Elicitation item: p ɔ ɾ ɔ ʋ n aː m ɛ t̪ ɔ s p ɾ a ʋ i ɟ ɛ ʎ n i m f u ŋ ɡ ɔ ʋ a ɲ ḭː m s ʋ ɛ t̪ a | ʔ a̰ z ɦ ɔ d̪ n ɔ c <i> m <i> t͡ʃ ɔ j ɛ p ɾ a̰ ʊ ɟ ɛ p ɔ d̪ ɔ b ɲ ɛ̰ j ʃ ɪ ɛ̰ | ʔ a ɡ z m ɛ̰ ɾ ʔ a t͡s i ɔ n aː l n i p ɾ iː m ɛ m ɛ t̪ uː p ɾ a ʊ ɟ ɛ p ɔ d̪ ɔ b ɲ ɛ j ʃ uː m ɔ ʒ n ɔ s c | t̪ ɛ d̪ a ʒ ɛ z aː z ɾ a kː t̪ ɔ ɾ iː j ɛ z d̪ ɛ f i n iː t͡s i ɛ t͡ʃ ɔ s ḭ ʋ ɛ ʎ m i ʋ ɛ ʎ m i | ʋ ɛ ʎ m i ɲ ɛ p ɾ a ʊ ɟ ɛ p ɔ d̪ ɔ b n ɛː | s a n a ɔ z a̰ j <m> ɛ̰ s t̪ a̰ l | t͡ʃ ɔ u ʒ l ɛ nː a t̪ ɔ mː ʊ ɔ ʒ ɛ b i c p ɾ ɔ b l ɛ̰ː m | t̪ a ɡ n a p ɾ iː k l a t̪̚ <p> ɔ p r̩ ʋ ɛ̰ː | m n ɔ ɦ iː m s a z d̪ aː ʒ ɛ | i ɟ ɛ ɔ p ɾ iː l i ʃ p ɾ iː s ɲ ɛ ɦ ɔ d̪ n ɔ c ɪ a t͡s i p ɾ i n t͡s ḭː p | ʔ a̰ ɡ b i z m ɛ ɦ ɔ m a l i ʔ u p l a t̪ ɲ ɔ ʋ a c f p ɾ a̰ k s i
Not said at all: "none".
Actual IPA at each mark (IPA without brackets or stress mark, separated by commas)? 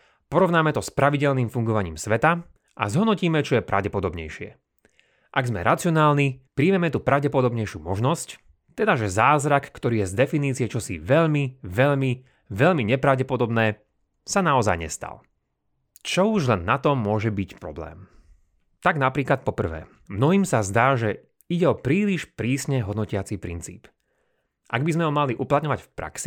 iː, ɛ, ɲ, p